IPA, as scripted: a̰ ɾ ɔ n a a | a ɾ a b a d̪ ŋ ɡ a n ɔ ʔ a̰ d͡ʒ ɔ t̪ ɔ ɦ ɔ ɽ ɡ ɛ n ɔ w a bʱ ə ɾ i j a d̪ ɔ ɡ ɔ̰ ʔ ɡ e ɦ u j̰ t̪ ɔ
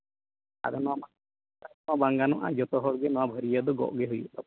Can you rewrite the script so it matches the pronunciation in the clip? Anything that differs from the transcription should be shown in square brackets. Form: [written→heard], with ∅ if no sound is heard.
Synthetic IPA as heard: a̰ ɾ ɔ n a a | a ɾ a b a [d̪→∅] ŋ ɡ a n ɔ ʔ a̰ d͡ʒ ɔ t̪ ɔ ɦ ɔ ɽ ɡ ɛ n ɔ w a bʱ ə ɾ i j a d̪ ɔ ɡ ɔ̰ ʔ ɡ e ɦ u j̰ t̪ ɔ